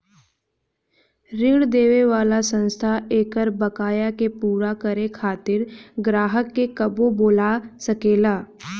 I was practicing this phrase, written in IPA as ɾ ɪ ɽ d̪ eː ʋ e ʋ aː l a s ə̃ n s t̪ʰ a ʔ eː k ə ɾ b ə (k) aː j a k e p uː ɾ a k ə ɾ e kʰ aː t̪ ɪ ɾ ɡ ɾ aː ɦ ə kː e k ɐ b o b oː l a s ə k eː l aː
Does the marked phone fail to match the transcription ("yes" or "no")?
no